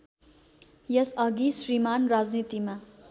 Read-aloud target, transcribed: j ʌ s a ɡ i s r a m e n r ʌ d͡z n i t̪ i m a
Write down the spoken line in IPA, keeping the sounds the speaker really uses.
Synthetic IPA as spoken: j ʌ s ʌ ɡ i s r i m a n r a d͡z n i t̪ i m a